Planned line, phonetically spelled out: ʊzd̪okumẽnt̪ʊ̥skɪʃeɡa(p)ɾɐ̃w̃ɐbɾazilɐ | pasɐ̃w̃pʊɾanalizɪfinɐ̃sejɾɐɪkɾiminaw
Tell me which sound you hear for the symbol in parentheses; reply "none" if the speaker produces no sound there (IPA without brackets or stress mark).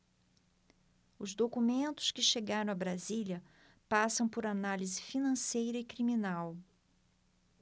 none